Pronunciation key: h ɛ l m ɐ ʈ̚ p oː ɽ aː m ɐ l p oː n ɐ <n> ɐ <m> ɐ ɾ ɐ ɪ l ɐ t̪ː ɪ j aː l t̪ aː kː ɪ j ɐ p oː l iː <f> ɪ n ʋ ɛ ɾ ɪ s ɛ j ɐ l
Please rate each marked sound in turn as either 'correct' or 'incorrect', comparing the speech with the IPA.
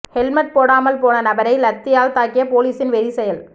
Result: correct, incorrect, incorrect

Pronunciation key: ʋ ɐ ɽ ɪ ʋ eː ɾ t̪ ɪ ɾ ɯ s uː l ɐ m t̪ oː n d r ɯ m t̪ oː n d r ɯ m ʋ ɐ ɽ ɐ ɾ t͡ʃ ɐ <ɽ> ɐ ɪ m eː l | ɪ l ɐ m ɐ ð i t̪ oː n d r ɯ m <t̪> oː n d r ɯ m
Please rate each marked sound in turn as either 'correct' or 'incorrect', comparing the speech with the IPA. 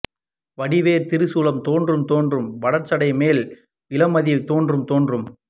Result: correct, correct

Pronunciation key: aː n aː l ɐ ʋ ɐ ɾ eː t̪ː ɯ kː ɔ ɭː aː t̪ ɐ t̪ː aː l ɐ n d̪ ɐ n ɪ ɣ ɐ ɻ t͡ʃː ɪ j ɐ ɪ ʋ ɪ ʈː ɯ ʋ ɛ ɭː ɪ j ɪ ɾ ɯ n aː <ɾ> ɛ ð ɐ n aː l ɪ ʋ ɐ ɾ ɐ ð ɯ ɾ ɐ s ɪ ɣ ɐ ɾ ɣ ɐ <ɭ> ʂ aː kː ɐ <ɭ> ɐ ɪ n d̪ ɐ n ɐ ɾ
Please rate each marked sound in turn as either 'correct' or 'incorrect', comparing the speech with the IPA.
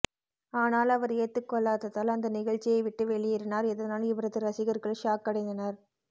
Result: correct, correct, incorrect

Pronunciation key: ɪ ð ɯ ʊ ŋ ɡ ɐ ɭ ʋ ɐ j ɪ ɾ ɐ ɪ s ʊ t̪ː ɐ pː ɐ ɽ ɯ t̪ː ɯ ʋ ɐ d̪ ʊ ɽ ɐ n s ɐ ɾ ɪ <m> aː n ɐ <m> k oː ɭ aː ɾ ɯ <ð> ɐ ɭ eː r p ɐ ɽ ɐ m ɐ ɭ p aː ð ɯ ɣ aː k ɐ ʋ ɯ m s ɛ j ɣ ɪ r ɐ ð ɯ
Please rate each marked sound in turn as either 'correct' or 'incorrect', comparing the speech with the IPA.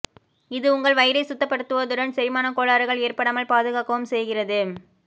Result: correct, incorrect, incorrect

